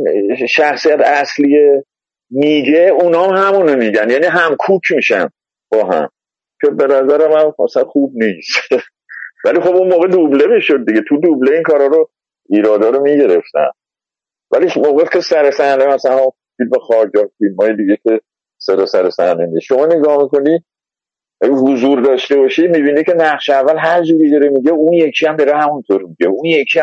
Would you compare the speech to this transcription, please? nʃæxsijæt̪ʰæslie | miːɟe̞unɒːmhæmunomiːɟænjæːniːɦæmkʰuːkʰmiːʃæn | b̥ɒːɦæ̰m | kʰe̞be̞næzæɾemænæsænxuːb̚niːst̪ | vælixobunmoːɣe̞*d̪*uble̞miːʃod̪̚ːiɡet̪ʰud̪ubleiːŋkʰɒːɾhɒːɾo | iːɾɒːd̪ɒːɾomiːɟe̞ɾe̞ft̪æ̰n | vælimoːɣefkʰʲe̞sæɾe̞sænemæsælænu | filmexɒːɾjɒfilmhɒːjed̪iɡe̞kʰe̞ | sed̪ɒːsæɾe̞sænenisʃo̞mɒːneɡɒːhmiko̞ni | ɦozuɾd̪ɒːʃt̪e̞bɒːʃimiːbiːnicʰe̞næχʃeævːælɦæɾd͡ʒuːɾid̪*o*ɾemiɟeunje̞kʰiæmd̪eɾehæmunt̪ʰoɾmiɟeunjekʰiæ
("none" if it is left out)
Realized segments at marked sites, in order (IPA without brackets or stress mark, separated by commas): d̪, ɒ